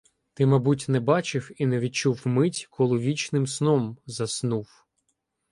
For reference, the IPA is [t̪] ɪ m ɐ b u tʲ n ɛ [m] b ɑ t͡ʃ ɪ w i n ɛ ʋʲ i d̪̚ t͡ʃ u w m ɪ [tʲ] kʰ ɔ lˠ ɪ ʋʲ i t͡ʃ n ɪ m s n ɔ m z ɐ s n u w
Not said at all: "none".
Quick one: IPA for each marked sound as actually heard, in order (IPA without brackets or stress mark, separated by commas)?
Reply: t̪, none, tʲ